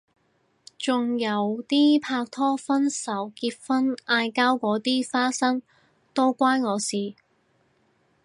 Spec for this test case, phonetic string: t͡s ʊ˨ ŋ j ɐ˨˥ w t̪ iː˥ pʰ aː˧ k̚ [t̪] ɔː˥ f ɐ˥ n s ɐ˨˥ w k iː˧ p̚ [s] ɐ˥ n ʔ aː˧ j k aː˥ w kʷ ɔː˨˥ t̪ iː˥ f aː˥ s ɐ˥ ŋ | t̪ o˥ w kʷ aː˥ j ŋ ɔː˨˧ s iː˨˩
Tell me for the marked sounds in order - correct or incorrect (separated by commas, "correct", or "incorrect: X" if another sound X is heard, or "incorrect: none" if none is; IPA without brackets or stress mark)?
incorrect: t̪ʰ, incorrect: f